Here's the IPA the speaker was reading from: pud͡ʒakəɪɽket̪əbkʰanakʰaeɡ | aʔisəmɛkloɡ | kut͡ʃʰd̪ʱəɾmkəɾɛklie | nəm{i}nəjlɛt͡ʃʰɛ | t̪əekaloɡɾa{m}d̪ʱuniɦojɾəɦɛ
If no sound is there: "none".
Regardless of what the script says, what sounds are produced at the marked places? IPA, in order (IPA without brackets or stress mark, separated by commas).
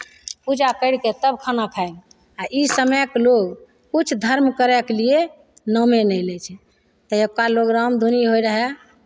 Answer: e, m